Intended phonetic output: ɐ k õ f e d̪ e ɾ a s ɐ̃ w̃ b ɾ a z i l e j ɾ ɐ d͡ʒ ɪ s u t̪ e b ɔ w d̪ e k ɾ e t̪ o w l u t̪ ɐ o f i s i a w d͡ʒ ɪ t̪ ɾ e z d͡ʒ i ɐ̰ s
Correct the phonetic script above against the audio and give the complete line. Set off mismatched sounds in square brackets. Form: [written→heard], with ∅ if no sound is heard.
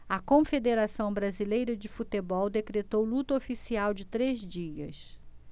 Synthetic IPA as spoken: ɐ k õ f e d̪ e ɾ a s ɐ̃ w̃ b ɾ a z i l e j ɾ ɐ d͡ʒ ɪ [s→f] u t̪ e b ɔ w d̪ e k ɾ e t̪ o w l u t̪ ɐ o f i s i a w d͡ʒ ɪ t̪ ɾ e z d͡ʒ i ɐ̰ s